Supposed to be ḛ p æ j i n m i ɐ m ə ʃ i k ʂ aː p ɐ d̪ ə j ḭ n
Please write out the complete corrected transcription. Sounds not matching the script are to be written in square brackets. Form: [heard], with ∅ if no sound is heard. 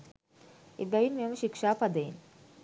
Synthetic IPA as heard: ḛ [b] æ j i n m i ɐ m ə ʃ i k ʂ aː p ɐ d̪ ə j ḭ n